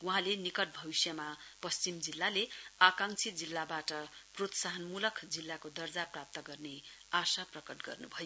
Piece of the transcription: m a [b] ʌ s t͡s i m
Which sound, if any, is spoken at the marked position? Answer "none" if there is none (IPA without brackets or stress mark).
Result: p